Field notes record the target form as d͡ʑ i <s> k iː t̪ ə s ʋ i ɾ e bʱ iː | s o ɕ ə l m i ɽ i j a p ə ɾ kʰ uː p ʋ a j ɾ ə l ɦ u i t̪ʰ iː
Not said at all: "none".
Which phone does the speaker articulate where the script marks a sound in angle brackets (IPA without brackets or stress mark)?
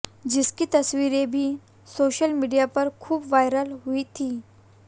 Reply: s